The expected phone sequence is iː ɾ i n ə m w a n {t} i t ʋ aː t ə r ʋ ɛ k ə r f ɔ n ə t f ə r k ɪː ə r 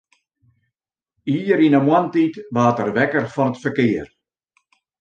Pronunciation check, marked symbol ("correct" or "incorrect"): correct